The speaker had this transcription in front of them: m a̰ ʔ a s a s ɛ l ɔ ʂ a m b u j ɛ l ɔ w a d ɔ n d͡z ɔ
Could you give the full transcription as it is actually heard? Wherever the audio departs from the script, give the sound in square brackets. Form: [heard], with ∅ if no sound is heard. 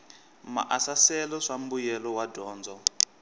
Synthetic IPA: m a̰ ʔ a s a s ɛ l ɔ ʂ a m b u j ɛ l ɔ w a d [ɔː] n d͡z ɔ